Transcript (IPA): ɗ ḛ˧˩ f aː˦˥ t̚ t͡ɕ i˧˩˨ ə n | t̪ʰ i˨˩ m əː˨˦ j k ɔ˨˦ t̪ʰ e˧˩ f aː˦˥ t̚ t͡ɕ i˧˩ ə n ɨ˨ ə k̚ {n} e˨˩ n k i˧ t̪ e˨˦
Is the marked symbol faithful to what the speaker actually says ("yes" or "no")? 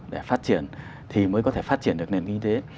yes